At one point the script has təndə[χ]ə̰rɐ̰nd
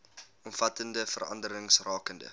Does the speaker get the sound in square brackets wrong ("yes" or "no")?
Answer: yes